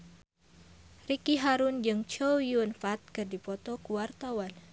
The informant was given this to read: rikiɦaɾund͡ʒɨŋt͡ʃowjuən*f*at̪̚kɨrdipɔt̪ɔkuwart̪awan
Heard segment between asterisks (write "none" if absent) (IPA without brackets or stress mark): f